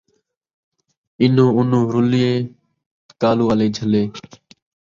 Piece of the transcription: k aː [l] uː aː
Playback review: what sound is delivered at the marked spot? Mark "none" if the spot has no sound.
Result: l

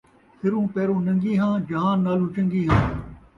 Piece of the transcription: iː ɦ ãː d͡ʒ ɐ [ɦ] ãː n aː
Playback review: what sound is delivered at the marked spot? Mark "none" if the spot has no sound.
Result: ɦ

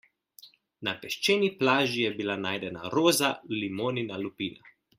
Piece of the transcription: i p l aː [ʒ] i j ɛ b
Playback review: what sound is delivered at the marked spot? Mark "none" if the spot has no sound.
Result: ʒ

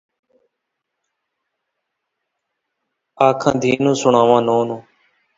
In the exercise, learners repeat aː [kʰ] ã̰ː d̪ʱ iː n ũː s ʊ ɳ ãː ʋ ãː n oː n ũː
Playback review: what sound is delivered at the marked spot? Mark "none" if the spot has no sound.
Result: kʰ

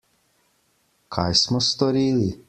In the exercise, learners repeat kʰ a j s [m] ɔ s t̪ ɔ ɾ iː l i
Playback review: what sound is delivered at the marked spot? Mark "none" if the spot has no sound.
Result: m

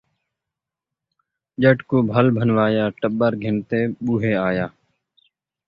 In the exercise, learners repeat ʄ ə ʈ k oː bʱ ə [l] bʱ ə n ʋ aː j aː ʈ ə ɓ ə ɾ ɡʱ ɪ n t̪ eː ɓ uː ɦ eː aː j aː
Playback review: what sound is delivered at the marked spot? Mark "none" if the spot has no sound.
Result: l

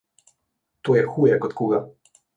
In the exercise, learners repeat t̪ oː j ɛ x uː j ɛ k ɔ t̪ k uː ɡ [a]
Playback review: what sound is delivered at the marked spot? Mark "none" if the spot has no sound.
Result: a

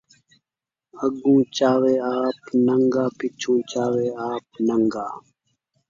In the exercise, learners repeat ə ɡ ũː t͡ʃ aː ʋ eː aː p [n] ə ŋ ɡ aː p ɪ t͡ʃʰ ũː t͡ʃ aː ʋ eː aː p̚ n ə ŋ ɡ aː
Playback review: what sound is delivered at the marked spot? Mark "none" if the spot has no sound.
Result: n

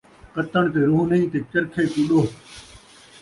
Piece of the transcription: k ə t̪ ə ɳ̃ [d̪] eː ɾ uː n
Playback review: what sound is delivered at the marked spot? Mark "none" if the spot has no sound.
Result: t̪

